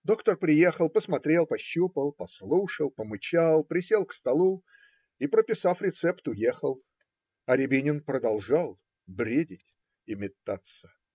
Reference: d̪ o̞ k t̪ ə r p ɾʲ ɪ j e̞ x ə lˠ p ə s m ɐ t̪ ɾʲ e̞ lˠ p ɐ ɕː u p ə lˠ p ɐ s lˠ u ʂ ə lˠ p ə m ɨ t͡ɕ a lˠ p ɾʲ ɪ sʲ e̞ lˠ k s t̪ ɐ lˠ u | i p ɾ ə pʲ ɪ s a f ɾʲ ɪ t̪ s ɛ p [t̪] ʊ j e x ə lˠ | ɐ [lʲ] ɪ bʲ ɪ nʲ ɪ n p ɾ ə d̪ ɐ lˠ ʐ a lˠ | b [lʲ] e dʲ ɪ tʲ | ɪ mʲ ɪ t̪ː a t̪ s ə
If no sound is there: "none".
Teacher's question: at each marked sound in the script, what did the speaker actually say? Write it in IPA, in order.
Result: t̪, ɾʲ, ɾʲ

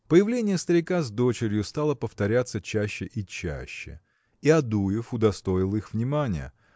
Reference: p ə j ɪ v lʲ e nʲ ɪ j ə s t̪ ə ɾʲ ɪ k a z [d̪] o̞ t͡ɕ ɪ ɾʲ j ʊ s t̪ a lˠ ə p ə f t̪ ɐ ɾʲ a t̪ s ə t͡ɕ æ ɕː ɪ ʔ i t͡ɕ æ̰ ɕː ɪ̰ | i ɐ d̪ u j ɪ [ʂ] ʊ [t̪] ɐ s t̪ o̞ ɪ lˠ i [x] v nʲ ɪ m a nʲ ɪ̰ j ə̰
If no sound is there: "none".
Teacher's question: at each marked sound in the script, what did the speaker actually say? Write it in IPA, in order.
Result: d̪, f, d̪, x

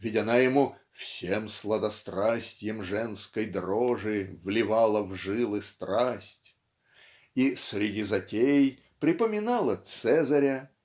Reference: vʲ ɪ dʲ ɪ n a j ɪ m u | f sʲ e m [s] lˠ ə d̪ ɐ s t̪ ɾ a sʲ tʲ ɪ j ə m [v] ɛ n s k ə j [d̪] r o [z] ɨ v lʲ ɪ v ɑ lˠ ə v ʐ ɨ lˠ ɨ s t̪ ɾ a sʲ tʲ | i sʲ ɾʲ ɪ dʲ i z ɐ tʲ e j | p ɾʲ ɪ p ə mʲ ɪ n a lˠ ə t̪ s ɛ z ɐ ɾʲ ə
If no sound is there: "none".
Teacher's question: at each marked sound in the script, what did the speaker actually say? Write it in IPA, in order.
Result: s, ʐ, d̪, ʐ

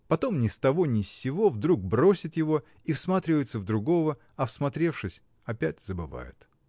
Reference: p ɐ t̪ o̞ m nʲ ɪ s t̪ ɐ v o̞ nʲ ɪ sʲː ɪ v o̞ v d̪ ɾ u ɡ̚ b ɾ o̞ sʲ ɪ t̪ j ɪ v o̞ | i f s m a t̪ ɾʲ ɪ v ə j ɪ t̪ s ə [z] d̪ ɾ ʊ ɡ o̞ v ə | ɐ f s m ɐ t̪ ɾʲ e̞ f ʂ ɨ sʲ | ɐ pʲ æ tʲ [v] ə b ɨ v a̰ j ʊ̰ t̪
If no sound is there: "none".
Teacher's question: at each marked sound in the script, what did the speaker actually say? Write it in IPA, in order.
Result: v, z

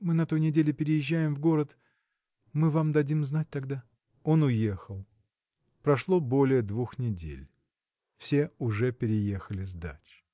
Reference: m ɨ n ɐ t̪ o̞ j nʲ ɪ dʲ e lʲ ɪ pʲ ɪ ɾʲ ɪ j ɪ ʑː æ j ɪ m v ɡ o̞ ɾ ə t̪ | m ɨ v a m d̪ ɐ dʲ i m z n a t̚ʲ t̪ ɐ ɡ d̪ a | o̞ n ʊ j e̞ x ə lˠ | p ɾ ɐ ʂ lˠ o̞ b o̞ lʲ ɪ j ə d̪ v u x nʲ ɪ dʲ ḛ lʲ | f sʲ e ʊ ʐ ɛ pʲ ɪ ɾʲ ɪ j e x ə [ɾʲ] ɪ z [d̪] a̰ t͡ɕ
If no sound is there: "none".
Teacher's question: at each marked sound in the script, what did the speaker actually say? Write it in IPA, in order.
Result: lʲ, d̪

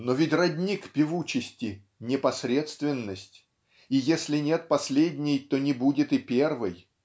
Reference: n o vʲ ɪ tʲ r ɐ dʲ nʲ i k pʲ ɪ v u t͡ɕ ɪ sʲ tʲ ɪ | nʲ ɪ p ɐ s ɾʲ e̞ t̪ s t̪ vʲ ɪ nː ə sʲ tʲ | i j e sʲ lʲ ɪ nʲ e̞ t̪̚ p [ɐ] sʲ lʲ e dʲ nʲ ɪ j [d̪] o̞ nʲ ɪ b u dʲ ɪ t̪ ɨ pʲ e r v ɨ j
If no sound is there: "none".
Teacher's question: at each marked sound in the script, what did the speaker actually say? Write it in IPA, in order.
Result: ɐ, t̪

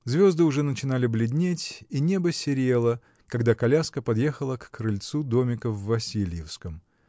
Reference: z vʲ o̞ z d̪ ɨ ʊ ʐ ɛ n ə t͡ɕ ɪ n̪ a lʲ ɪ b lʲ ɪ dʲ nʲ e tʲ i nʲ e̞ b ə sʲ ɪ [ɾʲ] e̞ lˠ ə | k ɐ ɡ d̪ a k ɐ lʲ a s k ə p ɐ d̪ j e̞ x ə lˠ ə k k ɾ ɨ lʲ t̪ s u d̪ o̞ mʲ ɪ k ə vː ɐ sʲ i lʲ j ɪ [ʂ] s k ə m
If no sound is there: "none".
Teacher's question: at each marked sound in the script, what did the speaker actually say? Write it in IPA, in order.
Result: ɾʲ, f

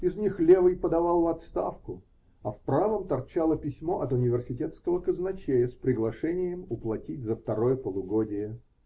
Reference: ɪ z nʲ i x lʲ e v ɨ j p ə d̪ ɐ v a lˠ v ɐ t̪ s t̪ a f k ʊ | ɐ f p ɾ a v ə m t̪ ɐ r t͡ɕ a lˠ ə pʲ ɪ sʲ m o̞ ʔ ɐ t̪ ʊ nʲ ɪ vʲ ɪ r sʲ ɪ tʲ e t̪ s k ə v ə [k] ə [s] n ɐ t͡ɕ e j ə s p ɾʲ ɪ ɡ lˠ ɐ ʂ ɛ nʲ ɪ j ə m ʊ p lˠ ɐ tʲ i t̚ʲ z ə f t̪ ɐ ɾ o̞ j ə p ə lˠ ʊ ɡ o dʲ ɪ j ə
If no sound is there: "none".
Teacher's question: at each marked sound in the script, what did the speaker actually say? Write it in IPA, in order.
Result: k, z

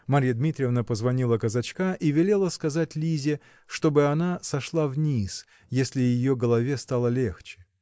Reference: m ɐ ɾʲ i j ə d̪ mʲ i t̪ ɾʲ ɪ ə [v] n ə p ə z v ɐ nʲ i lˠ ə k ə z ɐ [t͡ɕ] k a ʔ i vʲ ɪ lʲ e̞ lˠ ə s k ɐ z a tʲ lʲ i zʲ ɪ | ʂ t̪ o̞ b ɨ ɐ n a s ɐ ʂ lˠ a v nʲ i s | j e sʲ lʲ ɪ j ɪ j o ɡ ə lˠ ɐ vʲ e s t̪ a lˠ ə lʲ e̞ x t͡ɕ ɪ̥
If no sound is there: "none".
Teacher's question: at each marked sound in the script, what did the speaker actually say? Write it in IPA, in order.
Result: v, t͡ɕ

